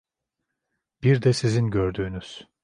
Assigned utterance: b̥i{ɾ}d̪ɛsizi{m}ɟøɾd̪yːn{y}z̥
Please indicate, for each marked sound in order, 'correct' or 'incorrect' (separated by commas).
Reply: correct, incorrect, correct